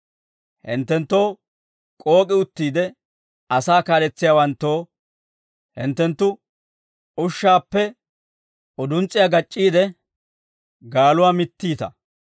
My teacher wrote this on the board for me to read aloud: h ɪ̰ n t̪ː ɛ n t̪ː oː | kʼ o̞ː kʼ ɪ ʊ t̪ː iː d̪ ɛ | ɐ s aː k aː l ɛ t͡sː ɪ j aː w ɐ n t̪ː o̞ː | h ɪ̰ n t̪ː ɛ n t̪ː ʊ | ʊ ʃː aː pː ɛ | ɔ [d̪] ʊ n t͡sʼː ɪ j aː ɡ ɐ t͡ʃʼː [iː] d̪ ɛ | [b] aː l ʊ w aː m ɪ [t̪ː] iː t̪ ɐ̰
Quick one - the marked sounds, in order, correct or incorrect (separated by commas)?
correct, correct, incorrect, correct